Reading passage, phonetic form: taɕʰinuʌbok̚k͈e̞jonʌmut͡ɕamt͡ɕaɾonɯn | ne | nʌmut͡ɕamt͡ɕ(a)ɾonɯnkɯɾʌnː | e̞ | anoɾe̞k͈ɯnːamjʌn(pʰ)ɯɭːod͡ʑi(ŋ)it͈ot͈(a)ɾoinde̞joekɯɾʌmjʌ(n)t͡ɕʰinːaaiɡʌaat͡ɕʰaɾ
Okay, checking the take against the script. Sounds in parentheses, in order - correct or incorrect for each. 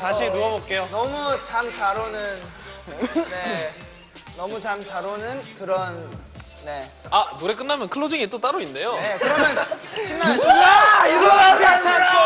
correct, incorrect: kʰ, correct, correct, correct

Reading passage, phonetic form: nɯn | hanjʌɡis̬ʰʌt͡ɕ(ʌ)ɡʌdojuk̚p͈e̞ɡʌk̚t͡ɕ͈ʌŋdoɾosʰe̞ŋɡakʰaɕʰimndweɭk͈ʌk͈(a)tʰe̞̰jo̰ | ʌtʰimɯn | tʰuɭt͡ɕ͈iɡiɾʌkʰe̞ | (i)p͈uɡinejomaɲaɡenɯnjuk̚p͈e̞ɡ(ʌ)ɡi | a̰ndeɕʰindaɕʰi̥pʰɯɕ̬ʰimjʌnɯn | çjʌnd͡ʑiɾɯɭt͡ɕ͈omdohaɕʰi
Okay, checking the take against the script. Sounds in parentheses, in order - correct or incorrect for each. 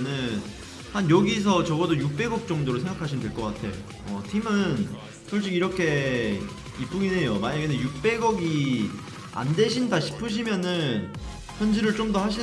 correct, correct, correct, correct

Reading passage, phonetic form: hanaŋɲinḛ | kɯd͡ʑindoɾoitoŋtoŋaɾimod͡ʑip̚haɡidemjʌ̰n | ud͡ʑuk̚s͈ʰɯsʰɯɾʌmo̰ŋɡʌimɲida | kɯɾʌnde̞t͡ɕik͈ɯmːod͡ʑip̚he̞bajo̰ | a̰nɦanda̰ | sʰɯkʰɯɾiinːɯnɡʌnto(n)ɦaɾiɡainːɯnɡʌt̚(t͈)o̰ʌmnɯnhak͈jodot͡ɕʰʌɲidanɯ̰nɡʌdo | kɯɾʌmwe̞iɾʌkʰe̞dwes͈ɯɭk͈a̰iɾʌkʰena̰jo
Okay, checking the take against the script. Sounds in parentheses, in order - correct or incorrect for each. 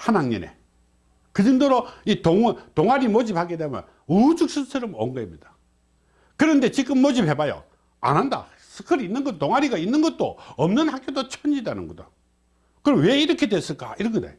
incorrect: ŋ, correct

